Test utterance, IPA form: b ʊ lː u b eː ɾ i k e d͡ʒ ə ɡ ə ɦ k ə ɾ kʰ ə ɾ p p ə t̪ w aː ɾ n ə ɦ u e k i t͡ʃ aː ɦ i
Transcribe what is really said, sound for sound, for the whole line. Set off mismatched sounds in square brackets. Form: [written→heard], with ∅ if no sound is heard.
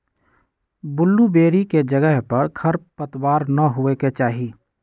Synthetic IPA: b ʊ lː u b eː ɾ i k e d͡ʒ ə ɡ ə ɦ [k→p] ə ɾ kʰ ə ɾ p p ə t̪ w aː ɾ n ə ɦ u e k [i→e] t͡ʃ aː ɦ i